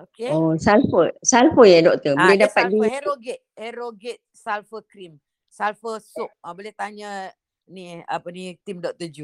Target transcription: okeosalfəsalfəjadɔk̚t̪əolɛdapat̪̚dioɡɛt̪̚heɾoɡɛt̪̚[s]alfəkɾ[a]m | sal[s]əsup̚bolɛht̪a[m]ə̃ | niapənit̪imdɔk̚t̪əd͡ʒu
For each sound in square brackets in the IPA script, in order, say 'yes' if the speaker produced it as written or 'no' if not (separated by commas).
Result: yes, no, no, no